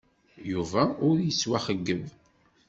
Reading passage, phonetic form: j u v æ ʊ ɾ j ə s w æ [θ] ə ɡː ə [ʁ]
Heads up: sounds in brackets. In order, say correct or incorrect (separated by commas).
incorrect, incorrect